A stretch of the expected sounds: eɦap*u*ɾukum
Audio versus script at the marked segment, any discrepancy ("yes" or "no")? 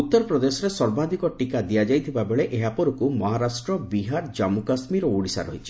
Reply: yes